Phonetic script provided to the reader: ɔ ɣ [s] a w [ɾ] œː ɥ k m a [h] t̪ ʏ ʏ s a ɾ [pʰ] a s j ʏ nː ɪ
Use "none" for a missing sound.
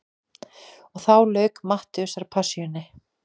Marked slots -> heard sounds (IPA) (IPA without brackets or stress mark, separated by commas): θ, l, h, pʰ